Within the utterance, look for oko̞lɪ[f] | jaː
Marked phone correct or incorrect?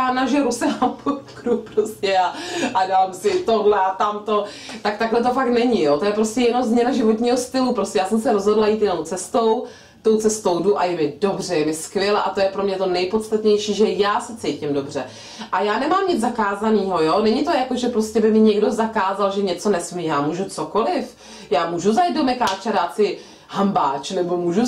correct